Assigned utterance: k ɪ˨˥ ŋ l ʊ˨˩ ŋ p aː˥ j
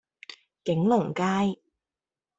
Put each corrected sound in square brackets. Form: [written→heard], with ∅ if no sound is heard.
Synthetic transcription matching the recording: k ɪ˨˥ ŋ l ʊ˨˩ ŋ [p→k] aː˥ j